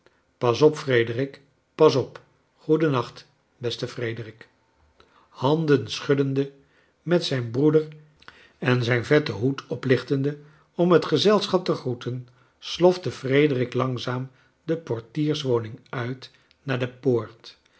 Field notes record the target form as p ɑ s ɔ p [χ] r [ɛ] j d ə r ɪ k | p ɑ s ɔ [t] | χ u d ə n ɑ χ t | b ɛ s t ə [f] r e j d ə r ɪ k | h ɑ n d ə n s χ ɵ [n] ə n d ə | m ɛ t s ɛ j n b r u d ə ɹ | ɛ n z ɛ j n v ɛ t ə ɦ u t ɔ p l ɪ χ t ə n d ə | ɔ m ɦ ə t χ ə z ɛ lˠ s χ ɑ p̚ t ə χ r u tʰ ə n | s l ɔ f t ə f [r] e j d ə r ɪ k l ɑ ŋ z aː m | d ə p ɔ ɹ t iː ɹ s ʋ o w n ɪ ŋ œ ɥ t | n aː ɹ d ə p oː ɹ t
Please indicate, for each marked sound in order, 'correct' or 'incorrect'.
incorrect: f, incorrect: e, incorrect: p, correct, incorrect: d, correct

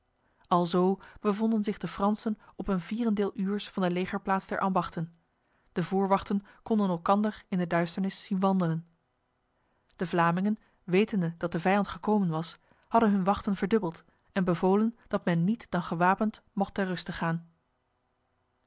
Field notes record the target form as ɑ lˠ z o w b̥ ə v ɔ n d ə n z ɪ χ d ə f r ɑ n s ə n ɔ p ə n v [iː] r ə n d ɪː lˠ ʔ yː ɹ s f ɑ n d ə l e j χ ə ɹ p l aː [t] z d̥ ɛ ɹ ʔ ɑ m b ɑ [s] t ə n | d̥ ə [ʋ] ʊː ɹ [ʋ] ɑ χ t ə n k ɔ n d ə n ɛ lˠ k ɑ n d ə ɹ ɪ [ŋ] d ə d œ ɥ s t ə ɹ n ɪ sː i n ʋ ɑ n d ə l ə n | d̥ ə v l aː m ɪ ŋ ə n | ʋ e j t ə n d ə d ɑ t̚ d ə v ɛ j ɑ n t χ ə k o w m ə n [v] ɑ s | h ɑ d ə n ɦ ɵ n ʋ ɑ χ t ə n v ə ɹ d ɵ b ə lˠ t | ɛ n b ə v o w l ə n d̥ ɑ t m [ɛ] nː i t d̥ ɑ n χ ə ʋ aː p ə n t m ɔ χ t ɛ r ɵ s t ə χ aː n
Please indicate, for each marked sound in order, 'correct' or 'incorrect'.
correct, correct, incorrect: χ, incorrect: v, correct, incorrect: n, incorrect: ʋ, correct

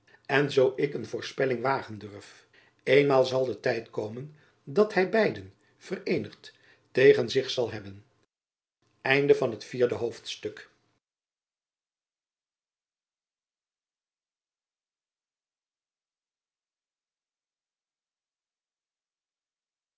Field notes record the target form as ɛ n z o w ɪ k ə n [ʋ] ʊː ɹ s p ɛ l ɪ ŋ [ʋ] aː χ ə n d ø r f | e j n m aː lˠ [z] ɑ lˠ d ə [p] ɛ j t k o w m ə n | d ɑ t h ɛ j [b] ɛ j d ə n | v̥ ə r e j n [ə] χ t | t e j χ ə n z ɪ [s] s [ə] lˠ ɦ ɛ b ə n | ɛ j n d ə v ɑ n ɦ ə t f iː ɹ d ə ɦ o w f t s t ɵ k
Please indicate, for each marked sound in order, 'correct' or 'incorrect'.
incorrect: v, correct, correct, incorrect: t, correct, correct, incorrect: χ, incorrect: ɑ

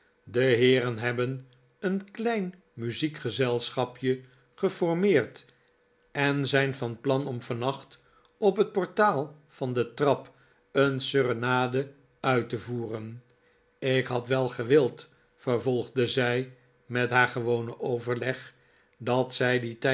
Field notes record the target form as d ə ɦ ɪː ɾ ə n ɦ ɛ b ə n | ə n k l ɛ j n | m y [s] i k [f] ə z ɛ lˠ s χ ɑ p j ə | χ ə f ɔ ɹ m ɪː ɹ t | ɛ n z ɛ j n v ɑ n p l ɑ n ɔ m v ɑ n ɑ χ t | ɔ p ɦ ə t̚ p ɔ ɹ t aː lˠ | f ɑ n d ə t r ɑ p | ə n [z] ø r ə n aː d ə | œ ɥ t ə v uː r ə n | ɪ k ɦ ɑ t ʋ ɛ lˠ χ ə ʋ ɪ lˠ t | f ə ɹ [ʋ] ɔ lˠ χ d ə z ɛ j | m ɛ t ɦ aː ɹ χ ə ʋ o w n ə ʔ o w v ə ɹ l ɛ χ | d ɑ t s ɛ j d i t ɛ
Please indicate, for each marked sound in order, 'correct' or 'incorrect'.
incorrect: z, incorrect: χ, incorrect: s, incorrect: v

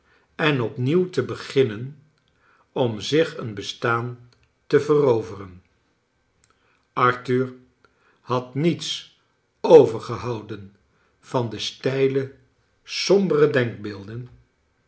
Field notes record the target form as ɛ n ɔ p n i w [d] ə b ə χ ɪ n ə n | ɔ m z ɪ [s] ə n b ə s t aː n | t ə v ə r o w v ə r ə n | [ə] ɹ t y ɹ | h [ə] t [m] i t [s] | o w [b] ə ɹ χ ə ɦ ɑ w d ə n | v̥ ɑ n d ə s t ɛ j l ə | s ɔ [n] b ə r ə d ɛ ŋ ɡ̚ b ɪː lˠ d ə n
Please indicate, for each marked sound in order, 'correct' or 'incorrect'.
incorrect: t, incorrect: χ, incorrect: ɑ, incorrect: ɑ, incorrect: n, correct, incorrect: v, incorrect: m

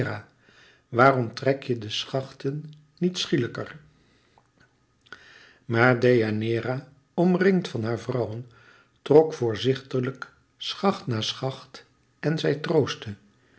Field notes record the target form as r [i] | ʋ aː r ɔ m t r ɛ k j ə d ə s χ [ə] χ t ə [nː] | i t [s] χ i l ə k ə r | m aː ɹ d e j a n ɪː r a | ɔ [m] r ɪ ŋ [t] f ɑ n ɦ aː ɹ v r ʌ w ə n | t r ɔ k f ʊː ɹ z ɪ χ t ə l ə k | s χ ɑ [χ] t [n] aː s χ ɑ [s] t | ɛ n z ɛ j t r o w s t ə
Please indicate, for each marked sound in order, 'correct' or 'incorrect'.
incorrect: a, incorrect: ɑ, correct, correct, correct, correct, correct, correct, incorrect: χ

